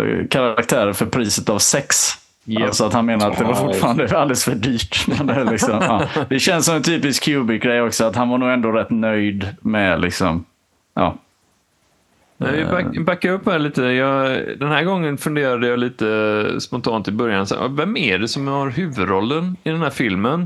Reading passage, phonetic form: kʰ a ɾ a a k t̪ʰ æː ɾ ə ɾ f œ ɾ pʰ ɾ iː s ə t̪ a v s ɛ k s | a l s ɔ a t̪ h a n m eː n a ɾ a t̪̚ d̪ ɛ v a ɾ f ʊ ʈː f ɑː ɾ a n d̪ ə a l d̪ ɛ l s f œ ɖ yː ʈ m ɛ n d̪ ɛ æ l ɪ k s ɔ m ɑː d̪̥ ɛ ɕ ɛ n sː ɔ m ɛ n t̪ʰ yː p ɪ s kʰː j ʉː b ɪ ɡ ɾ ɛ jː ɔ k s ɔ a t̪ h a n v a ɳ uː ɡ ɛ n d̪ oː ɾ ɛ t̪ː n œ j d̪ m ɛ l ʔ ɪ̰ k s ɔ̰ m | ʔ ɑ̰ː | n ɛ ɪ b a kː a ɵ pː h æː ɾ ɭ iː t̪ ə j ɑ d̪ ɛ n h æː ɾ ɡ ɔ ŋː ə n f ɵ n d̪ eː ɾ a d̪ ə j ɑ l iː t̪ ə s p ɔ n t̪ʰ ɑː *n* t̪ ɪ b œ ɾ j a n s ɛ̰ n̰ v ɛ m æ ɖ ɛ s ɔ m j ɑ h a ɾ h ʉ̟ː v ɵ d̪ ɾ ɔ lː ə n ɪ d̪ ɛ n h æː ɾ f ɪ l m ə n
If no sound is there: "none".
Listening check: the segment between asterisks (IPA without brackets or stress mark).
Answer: n